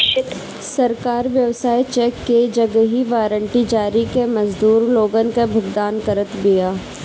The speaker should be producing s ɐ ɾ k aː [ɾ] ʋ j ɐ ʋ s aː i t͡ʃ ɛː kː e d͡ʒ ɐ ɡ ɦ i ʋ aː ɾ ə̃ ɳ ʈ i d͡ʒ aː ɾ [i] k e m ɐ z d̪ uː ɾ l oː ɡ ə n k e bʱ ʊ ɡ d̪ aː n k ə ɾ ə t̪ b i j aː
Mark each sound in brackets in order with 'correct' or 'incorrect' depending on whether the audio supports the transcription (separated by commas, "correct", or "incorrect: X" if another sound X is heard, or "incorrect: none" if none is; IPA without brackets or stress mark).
correct, correct